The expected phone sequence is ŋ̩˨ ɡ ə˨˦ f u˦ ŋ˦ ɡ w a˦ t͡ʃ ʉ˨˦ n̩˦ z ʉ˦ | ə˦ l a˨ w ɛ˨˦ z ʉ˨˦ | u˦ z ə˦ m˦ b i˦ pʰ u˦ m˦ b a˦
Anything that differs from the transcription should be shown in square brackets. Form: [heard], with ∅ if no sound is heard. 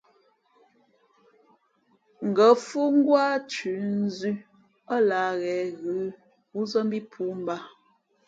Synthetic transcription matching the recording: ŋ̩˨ ɡ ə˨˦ f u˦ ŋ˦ ɡ w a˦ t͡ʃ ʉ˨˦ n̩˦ z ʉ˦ | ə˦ l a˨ [ɣ] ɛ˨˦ [ɣ] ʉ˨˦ | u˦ z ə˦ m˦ b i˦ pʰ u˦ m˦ b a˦